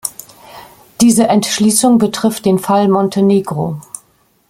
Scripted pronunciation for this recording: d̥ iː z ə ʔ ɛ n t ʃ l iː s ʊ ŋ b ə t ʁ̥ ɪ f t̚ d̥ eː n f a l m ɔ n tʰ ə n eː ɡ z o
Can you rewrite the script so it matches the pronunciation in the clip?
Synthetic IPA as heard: d̥ iː z ə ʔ ɛ n t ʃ l iː s ʊ ŋ b ə t ʁ̥ ɪ f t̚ d̥ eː n f a l m ɔ n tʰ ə n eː ɡ ʁ o